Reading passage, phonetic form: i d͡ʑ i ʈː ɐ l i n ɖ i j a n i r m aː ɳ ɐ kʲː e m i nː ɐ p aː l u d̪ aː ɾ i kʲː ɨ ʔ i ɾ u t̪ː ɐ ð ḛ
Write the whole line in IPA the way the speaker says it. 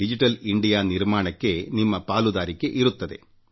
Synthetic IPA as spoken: i d͡ʑ i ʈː ɐ l i ɳ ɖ i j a n i r m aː ɳ ɐ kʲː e n i mː ɐ p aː l u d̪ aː ɾ i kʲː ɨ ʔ i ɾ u t̪ː ɐ ð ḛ